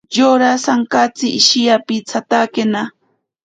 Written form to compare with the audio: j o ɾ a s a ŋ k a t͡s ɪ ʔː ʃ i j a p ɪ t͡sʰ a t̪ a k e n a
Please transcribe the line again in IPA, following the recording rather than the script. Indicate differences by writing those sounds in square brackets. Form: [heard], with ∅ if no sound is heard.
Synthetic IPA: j o ɾ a s a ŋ k a t͡s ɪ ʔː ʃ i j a p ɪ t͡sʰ a t̪ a k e n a